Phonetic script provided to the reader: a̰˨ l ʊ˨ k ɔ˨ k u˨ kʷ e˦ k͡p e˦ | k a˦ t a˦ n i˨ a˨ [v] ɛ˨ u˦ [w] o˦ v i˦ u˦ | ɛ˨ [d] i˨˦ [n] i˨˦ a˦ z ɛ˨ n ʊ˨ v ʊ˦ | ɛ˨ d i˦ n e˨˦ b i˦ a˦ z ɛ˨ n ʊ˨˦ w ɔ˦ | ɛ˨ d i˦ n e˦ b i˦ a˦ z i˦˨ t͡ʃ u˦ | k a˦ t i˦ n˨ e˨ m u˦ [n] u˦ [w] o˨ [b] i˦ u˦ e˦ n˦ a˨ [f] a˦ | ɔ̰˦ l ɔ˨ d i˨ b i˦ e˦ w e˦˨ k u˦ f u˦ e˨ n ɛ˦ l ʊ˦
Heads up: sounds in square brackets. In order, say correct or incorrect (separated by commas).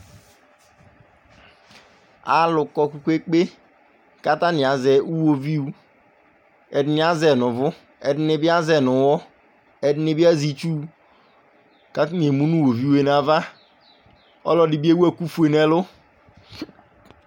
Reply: incorrect, correct, correct, correct, correct, correct, incorrect, incorrect